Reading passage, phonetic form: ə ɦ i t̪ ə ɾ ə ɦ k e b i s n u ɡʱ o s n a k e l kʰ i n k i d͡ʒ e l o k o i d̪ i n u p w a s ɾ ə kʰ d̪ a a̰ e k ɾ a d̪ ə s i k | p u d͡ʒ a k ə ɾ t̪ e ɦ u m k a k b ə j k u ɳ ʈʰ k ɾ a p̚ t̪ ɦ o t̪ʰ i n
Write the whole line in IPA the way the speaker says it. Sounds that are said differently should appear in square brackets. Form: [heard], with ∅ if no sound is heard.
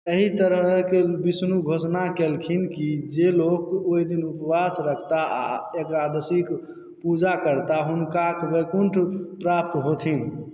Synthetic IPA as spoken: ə ɦ i t̪ ə ɾ ə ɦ k e b i s n u ɡʱ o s n a k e l kʰ i n k i d͡ʒ e l o k o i d̪ i n u p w a s ɾ ə kʰ [t̪] a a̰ e k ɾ a d̪ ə s i k | p u d͡ʒ a k ə ɾ t̪ [a] ɦ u [n] k a k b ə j k u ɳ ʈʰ [p] ɾ a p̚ t̪ ɦ o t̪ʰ i n

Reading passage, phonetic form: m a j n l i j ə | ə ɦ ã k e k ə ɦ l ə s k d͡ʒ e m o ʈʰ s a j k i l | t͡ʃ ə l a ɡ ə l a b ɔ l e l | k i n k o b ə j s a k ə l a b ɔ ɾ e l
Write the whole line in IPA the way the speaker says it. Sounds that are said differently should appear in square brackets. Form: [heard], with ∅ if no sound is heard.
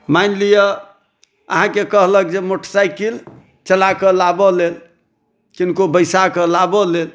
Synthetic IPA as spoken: m a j n l i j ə | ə ɦ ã k e k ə ɦ l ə [∅] k d͡ʒ e m o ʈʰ s a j k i l | t͡ʃ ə l a [k] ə l a b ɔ l e l | k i n k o b ə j s a k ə l a b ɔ [l] e l

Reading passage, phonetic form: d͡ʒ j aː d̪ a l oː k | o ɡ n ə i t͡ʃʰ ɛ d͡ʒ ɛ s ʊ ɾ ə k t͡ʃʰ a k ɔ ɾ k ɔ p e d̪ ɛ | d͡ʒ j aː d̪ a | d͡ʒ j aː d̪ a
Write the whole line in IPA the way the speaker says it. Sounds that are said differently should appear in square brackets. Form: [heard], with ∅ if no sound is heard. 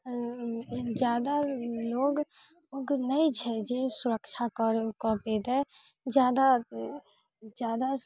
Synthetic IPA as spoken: d͡ʒ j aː d̪ a l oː [ɡ] | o ɡ n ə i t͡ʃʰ ɛ d͡ʒ [e] s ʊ ɾ ə k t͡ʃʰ a k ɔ ɾ k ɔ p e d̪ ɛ | d͡ʒ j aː d̪ a | d͡ʒ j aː d̪ a

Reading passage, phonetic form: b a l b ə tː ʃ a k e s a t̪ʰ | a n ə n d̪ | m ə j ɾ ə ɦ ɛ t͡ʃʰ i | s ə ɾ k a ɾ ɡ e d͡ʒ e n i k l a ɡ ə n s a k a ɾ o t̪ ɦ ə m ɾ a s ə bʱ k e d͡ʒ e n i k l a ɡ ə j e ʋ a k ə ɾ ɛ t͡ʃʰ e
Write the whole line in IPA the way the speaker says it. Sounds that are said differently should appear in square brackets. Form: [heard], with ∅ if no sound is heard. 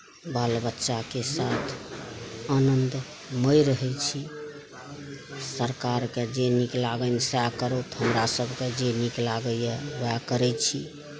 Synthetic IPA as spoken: b a l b ə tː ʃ a k e s a t̪ʰ | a n ə n d̪ | m ə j ɾ ə ɦ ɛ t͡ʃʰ i | s ə ɾ k a ɾ [k] e d͡ʒ e n i k l a ɡ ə n s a k [ə] ɾ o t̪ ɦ ə m ɾ a s ə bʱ k e d͡ʒ e n i k l a ɡ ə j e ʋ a k ə ɾ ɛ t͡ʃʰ [i]

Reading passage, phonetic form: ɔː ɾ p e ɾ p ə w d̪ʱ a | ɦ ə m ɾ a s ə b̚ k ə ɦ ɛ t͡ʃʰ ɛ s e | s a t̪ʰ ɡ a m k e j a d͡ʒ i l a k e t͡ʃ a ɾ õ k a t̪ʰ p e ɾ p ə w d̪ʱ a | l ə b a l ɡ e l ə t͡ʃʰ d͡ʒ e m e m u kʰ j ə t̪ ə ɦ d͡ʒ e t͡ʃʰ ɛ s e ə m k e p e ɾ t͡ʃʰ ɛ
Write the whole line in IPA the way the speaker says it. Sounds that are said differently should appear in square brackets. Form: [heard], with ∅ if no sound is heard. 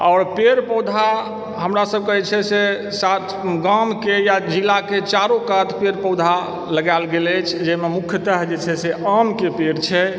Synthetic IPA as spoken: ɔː ɾ p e ɾ p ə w d̪ʱ a | ɦ ə m ɾ a s ə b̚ k ə ɦ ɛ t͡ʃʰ ɛ s e | s a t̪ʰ ɡ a m k e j a d͡ʒ i l a k e t͡ʃ a ɾ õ k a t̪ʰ p e ɾ p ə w d̪ʱ a | l ə [ɡ] a l ɡ e l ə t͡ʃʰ d͡ʒ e m e m u kʰ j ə t̪ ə ɦ d͡ʒ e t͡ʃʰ ɛ s e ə m k e p e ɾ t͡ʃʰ ɛ

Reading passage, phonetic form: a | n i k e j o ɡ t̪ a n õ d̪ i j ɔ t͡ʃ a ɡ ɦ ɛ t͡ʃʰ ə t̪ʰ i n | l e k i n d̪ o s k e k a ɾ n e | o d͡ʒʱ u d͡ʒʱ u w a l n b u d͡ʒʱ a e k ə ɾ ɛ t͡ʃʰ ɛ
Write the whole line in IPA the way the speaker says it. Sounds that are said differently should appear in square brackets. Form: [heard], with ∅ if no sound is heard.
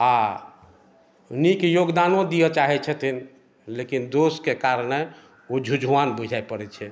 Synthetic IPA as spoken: a | n i k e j o ɡ [d̪] a n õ d̪ i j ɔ t͡ʃ a [∅] ɦ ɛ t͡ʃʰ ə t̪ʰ i n | l e k i n d̪ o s k e k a ɾ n e | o d͡ʒʱ u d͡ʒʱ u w a [∅] n b u d͡ʒʱ a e [p] ə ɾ ɛ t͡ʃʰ ɛ

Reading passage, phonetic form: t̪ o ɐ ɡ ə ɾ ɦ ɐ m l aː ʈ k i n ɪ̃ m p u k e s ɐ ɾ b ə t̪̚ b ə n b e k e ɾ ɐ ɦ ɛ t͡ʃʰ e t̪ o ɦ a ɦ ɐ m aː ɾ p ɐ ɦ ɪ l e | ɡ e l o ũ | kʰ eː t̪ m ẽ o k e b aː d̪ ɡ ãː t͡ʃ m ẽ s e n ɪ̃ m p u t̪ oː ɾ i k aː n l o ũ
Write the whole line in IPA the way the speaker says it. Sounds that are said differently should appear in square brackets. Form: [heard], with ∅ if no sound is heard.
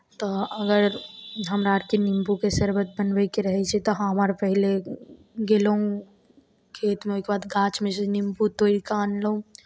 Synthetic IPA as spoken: t̪ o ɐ ɡ ə ɾ ɦ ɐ m [ɾ] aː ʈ k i n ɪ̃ m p u k e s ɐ ɾ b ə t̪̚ b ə n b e k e ɾ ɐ ɦ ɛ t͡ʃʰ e t̪ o ɦ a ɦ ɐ m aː ɾ p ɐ ɦ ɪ l e | ɡ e l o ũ | kʰ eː t̪ m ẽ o k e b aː d̪ ɡ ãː t͡ʃ m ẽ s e n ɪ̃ m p u t̪ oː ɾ i k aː n l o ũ

